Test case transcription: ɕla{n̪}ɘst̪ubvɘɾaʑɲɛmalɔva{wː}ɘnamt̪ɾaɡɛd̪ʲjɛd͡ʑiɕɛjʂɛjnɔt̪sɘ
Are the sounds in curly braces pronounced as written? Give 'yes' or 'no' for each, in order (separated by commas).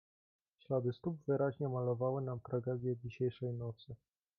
no, no